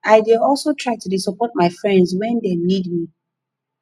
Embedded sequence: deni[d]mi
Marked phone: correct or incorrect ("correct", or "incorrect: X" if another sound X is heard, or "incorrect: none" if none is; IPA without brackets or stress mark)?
correct